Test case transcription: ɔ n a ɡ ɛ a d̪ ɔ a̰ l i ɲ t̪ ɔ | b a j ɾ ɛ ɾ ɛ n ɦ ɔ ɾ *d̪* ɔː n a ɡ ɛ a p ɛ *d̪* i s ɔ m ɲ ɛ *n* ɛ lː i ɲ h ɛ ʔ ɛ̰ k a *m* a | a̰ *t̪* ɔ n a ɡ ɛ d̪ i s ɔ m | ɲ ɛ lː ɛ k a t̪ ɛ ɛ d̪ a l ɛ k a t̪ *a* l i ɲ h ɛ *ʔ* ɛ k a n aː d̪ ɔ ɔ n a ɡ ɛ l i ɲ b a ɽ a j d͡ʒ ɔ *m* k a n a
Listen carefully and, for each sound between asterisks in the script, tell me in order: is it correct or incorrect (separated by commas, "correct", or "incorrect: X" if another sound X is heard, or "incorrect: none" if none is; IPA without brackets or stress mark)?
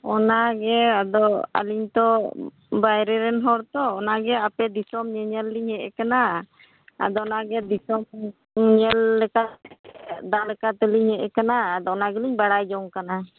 incorrect: t̪, correct, incorrect: ɲ, incorrect: n, incorrect: d̪, incorrect: ɛ, correct, incorrect: ŋ